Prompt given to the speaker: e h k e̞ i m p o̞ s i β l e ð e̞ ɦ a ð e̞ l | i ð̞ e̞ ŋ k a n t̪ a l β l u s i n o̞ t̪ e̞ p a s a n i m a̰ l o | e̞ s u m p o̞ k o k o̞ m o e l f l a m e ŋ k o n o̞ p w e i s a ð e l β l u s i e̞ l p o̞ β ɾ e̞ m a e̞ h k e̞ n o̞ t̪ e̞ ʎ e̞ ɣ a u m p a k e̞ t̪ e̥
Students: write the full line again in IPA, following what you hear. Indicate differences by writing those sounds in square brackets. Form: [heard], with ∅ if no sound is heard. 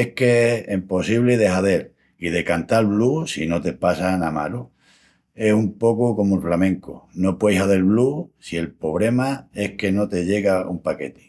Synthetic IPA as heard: e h k e̞ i m p o̞ s i β l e ð e̞ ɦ a ð e̞ l | i ð̞ e̞ [∅] k a n t̪ a l β l u s i n o̞ t̪ e̞ p a s a n [a] m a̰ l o | e̞ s u m p o̞ k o k o̞ m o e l f l a m [ẽ] ŋ k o n o̞ p w e [j] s a ð e l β l u s i e̞ l p o̞ β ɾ e̞ m a e̞ h k e̞ n o̞ t̪ e̞ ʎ e̞ ɣ a u m p a k e̞ t̪ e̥